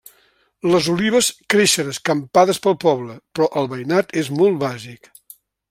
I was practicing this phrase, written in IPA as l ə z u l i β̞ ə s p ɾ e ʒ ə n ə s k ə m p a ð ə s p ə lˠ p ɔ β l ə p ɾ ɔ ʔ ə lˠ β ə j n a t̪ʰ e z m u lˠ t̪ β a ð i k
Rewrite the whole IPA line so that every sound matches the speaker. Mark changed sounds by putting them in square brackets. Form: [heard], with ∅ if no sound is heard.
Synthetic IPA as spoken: l ə z u l i β̞ ə s [k] ɾ e [ʃ] ə n ə s k ə m p a ð ə s p ə lˠ p ɔ β l ə p ɾ ɔ ʔ ə lˠ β ə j n a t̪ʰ e z m [ɔ] lˠ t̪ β a [z] i k